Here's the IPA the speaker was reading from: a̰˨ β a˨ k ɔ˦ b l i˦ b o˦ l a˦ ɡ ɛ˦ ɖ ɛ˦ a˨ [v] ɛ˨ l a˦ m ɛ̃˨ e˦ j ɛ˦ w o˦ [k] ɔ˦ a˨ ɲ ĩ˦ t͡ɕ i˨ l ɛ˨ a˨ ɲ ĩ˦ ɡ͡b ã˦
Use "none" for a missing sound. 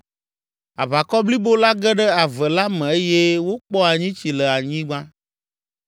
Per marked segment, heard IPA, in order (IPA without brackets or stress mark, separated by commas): v, k͡p